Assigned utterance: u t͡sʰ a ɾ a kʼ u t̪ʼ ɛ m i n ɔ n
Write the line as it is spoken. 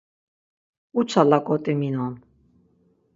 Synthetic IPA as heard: u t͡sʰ a l a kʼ ɔ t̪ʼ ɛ m i n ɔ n